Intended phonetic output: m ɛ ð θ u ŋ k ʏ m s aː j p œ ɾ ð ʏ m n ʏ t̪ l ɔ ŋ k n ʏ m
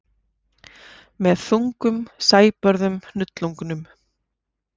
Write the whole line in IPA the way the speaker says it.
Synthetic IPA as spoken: m ɛ ð θ u ŋ k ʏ m s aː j p œ ɾ ð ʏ m n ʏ t̪ l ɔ ŋ k n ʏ m